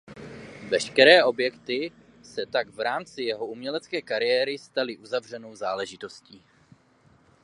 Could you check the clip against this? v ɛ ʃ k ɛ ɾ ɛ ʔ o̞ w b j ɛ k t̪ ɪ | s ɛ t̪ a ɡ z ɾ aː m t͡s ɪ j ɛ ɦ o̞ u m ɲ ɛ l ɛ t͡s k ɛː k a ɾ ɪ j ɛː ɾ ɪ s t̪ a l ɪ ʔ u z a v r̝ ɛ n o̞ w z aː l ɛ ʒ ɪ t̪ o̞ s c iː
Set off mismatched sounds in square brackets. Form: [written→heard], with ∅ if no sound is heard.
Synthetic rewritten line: v ɛ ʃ k ɛ ɾ [ɛ→ɛː] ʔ o̞ [w→∅] b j ɛ k t̪ ɪ | s ɛ t̪ a ɡ [z→v] ɾ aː m t͡s ɪ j ɛ ɦ o̞ u m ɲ ɛ l ɛ t͡s k ɛː k a ɾ ɪ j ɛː ɾ ɪ s t̪ a l ɪ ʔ u z a v r̝ ɛ n o̞ w z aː l ɛ ʒ ɪ t̪ o̞ s c iː